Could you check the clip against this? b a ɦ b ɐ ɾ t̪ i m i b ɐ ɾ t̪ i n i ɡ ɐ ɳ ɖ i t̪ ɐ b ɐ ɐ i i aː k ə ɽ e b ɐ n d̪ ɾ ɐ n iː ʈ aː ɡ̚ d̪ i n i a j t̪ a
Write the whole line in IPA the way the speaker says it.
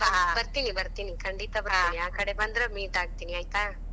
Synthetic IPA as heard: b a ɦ b ɐ ɾ t̪ i n i b ɐ ɾ t̪ i n i k ɐ ɳ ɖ i t̪ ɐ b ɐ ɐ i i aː k ɐ ɽ e b ɐ n d̪ ɾ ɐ m iː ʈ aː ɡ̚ t̪ i n i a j t̪ a